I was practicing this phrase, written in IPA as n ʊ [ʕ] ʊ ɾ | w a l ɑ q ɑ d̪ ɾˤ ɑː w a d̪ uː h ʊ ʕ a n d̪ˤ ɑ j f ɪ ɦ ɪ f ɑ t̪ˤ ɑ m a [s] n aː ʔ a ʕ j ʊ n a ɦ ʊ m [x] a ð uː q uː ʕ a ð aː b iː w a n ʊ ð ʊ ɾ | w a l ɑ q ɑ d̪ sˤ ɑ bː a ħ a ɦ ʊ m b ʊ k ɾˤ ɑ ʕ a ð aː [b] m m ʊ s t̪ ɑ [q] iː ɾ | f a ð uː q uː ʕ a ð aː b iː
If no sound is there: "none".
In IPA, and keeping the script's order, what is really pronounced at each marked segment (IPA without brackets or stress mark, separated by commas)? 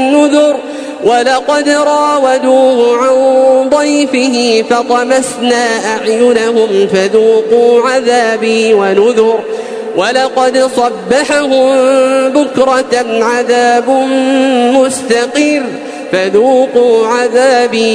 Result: ð, s, f, b, q